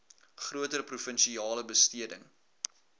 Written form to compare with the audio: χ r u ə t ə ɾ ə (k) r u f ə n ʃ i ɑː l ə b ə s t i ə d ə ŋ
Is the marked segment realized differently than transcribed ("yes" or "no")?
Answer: yes